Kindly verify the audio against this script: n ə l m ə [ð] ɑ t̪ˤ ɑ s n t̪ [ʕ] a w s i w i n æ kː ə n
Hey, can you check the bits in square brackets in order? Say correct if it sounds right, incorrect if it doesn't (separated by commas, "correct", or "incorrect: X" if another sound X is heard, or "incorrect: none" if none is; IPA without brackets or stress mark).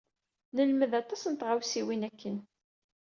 correct, incorrect: ʁ